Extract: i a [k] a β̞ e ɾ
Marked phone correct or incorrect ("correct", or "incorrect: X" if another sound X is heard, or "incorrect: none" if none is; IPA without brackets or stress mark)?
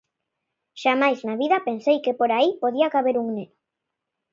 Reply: correct